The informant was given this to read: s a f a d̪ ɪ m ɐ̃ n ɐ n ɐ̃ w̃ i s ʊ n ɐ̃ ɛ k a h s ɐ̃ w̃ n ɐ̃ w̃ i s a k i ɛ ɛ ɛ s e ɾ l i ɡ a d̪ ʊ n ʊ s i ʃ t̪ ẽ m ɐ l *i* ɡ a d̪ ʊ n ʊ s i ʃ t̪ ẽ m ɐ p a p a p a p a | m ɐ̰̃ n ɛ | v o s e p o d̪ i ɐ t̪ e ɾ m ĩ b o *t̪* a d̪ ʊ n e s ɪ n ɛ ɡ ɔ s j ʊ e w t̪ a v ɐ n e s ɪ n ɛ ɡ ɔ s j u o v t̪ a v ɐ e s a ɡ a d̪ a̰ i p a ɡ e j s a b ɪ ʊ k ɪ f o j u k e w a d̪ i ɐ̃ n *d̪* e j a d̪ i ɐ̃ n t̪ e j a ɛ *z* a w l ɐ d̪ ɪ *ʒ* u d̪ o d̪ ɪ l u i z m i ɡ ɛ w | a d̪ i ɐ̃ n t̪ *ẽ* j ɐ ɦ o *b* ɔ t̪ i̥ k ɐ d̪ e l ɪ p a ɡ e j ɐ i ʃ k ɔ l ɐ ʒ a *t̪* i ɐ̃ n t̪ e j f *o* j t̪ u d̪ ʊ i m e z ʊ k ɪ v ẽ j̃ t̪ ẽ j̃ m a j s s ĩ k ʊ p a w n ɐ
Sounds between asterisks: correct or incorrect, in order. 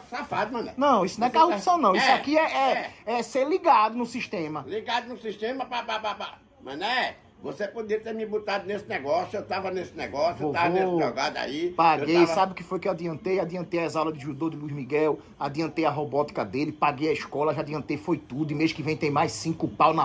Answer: correct, correct, incorrect, correct, correct, incorrect, correct, incorrect, correct

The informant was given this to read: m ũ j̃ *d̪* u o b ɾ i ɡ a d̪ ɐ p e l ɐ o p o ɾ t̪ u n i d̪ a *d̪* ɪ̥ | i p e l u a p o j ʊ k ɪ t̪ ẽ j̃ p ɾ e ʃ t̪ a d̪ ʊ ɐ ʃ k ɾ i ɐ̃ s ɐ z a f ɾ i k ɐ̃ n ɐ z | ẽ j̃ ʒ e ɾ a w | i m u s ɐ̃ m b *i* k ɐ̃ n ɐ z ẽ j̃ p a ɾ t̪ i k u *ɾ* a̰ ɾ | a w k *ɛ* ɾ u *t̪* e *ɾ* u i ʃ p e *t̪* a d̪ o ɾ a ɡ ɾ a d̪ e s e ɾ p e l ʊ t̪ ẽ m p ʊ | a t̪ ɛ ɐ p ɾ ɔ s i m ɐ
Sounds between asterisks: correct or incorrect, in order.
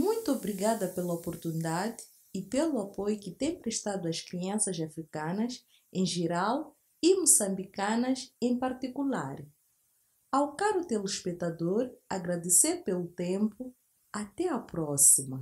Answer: incorrect, correct, correct, incorrect, incorrect, correct, incorrect, correct

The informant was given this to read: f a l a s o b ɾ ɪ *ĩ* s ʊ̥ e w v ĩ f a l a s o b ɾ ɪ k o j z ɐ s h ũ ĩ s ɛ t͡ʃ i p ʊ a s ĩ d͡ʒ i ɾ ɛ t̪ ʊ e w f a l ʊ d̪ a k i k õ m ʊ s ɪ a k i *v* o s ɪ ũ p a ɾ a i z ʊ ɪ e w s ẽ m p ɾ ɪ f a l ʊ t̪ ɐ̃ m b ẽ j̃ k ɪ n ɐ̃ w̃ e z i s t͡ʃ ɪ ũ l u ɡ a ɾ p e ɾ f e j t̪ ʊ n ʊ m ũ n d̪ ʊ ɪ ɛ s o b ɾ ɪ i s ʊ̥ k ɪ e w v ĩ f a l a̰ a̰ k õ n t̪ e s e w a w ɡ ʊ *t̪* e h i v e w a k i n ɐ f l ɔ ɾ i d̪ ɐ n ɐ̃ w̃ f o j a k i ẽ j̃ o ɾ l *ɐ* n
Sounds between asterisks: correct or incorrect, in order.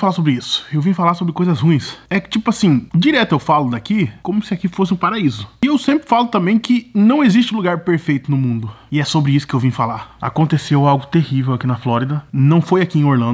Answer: incorrect, incorrect, correct, incorrect

